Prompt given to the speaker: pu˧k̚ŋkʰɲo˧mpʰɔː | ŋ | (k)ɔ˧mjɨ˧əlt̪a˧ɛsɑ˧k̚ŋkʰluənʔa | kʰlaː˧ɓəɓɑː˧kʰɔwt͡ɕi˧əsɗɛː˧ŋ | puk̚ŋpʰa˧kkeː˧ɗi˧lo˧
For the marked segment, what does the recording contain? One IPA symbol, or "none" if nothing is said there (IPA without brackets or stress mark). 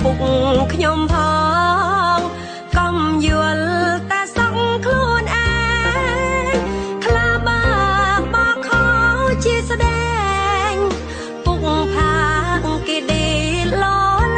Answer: k